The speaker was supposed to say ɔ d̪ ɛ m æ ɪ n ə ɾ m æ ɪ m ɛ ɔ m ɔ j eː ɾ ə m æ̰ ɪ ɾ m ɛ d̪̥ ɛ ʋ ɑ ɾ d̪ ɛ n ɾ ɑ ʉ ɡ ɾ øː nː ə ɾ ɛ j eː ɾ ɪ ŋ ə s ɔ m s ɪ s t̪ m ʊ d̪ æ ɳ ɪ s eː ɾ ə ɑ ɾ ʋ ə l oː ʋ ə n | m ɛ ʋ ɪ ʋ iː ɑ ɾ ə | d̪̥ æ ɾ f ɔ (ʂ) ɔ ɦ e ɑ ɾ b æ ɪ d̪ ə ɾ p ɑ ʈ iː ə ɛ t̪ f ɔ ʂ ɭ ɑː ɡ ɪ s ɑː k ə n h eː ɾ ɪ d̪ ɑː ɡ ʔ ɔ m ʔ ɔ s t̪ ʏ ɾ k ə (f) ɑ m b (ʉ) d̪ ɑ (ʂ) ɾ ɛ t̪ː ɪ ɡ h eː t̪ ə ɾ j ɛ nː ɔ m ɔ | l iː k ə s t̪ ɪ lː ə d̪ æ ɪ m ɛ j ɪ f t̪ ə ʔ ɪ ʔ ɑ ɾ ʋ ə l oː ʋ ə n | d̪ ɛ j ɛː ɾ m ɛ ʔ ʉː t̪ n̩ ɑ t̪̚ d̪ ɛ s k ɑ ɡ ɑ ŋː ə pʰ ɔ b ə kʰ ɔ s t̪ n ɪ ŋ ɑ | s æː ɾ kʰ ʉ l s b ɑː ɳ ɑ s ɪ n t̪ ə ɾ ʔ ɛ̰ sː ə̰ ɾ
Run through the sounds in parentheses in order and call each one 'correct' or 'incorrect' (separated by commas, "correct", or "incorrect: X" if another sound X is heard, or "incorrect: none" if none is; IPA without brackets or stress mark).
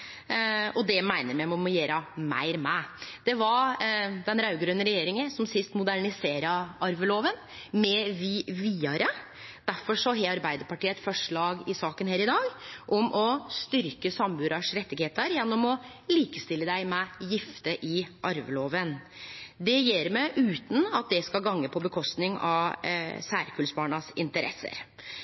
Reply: correct, incorrect: s, incorrect: ʉː, correct